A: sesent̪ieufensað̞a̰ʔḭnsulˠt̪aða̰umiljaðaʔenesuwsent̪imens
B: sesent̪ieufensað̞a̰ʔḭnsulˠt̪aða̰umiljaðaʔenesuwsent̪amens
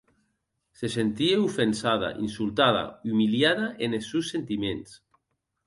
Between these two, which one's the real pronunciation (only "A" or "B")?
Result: A